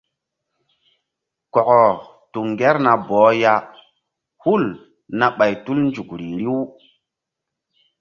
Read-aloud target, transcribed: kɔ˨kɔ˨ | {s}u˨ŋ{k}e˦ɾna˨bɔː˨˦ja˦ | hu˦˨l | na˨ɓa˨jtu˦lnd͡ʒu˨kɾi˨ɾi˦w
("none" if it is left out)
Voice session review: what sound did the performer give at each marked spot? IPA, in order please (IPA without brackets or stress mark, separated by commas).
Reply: t, ɡ